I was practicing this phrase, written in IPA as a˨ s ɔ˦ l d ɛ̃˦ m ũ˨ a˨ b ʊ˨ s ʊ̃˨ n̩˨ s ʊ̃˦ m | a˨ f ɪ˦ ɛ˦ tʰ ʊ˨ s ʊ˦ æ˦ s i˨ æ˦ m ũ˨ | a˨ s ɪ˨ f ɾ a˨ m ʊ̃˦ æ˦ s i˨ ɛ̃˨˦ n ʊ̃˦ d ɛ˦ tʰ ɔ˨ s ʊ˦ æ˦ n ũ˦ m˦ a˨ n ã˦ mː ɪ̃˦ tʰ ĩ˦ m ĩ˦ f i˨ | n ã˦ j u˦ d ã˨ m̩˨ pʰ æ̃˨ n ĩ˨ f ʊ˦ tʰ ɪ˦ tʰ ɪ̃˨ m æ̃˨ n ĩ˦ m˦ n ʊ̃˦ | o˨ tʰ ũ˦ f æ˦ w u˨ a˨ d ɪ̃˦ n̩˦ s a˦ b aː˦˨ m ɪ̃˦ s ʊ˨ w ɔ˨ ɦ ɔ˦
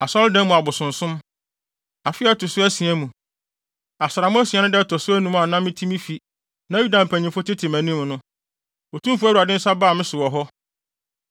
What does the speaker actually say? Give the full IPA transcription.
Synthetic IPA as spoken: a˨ s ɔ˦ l d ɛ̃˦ m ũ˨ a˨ b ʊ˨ s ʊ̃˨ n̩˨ s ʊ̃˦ m | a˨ f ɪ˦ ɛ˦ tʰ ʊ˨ s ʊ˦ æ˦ s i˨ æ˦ m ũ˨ | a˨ s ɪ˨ ɾ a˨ m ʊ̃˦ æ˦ s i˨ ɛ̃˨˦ n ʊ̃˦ d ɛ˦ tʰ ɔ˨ s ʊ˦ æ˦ n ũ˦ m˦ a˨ n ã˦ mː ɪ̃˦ tʰ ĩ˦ m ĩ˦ f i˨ | n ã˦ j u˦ d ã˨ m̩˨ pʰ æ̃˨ ɲ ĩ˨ f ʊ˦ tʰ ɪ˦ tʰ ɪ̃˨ m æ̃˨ n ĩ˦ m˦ n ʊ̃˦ | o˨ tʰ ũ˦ f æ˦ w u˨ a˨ d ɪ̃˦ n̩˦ s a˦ b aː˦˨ m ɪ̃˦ s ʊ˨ w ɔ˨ ɦ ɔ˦